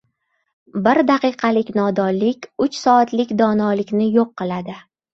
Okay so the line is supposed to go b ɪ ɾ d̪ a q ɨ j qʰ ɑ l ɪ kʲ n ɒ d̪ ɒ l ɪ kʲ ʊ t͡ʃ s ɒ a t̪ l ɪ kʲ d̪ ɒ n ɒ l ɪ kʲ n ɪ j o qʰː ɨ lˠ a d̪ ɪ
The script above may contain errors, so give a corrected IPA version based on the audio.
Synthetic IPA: b ɪ ɾ d̪ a q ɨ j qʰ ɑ l ɪ kʲ n ɒ d̪ ɒ l ɪ kʲ ʊ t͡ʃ s ɒ a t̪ l ɪ kʲ d̪ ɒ n ɒ l ɪ kʲ n ɪ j o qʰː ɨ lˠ a d̪ ɪ